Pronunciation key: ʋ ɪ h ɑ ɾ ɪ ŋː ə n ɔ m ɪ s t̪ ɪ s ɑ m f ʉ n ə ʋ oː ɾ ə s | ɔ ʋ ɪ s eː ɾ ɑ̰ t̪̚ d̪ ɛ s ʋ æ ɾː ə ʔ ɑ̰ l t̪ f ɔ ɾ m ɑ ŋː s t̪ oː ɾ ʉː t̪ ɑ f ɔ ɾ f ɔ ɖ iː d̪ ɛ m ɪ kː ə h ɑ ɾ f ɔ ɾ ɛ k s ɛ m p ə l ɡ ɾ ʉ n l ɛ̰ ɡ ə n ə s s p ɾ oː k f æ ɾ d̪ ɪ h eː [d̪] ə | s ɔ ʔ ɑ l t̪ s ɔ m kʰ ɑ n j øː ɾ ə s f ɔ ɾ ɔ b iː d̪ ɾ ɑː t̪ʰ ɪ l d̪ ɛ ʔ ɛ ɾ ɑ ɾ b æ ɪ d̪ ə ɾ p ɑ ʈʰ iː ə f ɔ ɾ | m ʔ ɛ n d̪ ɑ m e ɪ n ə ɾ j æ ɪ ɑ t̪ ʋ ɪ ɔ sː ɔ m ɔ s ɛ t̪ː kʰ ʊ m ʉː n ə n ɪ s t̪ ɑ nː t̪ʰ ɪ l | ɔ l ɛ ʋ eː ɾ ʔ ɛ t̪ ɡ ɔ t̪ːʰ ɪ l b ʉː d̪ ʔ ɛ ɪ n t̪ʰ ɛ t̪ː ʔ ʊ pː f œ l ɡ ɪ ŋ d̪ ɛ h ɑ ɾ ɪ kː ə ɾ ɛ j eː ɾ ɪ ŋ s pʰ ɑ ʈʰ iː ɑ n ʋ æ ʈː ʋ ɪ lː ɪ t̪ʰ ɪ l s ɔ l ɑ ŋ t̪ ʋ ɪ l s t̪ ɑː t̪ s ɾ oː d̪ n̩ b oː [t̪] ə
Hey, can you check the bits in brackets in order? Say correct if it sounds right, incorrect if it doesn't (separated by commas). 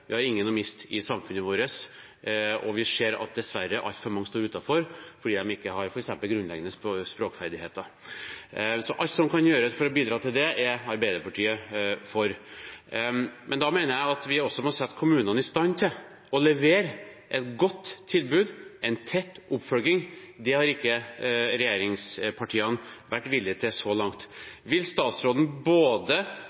incorrect, incorrect